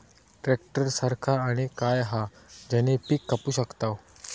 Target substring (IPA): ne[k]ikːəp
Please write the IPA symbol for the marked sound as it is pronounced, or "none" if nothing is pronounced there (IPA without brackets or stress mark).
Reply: p